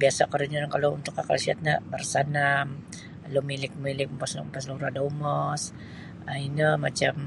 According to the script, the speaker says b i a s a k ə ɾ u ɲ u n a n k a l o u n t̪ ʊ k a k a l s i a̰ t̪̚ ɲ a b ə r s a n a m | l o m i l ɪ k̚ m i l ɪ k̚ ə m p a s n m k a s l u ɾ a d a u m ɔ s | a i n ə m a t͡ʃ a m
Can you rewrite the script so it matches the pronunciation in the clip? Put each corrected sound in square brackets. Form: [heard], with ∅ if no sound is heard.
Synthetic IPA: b i a s a k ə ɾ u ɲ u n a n k a l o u n t̪ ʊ k a k a l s i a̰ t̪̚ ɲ a b ə r s a n a m | l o m i l ɪ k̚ m i l ɪ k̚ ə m p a s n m [p] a s l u ɾ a d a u m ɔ s | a i n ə m a t͡ʃ a m